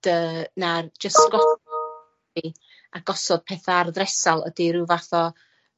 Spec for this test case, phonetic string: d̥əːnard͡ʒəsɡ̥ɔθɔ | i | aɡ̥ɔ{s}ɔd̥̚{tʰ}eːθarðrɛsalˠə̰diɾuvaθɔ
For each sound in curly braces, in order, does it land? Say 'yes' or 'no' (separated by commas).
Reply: yes, no